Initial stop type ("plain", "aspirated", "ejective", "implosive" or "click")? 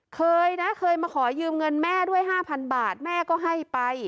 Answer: aspirated